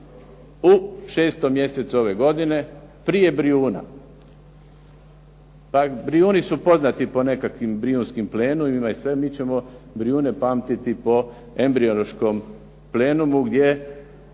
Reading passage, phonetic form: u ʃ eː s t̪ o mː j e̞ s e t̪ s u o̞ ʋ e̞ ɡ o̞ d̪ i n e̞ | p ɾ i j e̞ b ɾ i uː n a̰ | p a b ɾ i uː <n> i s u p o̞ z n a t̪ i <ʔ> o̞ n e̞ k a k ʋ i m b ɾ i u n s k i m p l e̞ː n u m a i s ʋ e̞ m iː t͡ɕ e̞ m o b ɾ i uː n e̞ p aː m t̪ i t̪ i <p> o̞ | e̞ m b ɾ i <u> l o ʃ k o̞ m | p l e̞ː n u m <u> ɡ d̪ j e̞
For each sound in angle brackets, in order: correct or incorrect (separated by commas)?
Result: correct, incorrect, correct, incorrect, correct